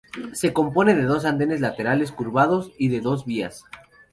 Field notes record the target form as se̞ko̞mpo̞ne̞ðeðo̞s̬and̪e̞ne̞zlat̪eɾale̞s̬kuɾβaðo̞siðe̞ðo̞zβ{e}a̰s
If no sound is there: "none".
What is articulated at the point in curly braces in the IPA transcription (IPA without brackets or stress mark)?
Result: i